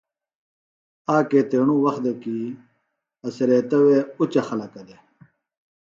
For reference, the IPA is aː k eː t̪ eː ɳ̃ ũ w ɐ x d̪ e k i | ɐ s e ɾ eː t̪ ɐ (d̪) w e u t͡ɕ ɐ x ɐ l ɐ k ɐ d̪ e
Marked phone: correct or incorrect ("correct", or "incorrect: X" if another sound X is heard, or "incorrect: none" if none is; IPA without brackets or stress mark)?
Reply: incorrect: none